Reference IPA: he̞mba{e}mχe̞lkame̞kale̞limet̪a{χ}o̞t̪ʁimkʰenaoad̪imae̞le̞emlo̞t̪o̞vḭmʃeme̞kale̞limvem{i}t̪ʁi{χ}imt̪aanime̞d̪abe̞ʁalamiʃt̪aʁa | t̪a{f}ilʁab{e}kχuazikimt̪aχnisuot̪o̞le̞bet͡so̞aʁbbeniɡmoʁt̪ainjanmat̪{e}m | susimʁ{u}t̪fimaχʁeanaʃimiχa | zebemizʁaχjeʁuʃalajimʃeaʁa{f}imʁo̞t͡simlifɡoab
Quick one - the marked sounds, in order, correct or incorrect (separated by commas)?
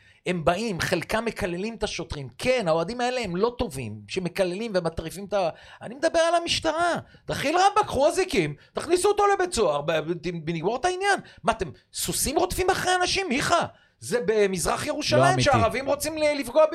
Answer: incorrect, incorrect, incorrect, incorrect, incorrect, incorrect, correct, incorrect, incorrect